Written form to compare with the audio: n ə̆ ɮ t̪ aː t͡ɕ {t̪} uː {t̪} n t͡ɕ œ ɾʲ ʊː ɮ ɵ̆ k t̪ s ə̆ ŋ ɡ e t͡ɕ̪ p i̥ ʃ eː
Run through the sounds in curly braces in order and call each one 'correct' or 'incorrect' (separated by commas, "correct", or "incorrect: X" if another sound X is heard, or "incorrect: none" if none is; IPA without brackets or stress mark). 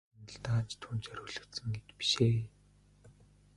incorrect: t̪ʰ, incorrect: none